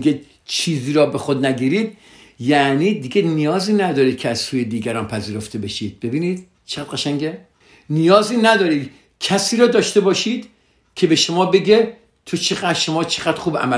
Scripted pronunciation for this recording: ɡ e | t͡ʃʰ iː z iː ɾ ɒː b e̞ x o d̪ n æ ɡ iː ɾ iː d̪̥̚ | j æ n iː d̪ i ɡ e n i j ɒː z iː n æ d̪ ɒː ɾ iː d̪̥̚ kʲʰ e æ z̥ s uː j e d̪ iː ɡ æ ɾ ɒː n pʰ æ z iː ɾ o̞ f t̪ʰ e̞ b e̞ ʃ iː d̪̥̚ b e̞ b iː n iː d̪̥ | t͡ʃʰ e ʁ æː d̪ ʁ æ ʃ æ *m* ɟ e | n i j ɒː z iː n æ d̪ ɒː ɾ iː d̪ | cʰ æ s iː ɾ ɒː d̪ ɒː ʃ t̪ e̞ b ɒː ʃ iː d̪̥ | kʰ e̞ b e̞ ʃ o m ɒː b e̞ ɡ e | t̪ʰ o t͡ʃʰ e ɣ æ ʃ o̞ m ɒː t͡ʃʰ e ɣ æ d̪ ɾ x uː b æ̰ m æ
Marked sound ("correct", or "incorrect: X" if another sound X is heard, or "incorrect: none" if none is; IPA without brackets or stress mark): incorrect: ŋ